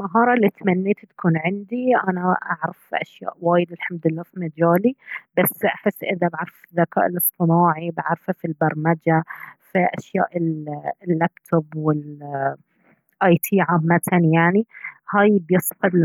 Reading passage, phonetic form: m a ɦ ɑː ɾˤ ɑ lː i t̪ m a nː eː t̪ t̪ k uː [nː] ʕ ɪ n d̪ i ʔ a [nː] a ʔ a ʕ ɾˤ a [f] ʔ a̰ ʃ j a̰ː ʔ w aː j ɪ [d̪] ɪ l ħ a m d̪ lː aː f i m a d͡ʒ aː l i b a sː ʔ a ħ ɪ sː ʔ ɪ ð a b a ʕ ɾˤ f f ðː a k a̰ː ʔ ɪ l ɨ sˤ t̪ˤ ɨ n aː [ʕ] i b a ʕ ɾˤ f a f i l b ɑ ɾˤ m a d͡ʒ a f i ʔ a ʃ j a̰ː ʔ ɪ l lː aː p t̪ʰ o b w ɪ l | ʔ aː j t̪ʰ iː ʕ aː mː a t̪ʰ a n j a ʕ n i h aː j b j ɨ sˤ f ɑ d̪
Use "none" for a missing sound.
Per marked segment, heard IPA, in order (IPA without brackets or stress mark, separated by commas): n, n, f, d̪, ʕ